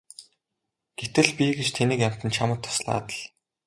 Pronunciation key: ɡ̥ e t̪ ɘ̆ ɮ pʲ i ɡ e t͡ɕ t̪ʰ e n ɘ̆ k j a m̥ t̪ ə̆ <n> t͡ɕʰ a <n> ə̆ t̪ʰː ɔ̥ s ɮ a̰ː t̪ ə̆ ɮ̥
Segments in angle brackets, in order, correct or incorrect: correct, incorrect: m

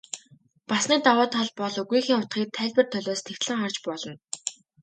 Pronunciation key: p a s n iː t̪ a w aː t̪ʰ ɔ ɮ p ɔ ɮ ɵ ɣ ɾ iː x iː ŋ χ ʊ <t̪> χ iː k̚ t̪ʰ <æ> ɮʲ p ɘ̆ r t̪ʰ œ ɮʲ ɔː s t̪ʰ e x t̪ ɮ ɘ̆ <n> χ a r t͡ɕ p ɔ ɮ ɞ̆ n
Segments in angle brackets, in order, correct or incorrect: correct, incorrect: æː, incorrect: ŋ

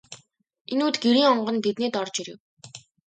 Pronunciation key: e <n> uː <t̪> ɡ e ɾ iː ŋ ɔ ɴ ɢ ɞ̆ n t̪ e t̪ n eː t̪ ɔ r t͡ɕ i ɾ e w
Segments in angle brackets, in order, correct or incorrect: correct, correct

